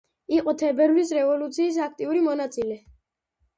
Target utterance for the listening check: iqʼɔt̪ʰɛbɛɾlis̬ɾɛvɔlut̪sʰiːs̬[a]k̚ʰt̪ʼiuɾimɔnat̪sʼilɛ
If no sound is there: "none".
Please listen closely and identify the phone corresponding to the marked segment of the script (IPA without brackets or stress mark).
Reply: a